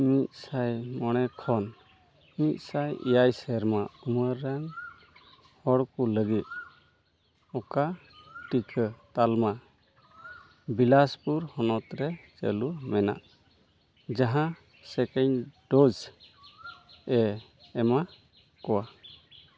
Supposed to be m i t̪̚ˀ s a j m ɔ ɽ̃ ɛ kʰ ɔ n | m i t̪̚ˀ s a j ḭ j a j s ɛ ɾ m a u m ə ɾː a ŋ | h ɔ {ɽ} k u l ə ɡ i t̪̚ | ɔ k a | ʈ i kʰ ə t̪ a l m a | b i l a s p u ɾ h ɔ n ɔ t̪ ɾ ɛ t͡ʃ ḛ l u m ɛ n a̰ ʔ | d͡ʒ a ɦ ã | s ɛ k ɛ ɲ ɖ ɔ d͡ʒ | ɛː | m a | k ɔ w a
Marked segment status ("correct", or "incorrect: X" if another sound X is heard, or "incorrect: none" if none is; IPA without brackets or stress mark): correct